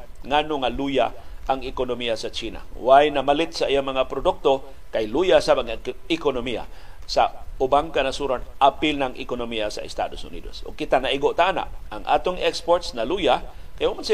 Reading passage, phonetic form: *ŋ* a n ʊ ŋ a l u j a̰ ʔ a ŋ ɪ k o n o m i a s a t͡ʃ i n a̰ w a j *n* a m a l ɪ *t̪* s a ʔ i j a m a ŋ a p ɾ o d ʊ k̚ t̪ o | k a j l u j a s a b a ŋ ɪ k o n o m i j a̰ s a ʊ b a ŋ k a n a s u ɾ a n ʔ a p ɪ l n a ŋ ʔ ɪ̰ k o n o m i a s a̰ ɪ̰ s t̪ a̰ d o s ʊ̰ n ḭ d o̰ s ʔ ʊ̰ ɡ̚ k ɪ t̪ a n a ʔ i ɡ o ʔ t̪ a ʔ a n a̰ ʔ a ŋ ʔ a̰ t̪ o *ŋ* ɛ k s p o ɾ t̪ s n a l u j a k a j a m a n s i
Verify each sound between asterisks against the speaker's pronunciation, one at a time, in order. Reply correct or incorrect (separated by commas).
correct, correct, correct, correct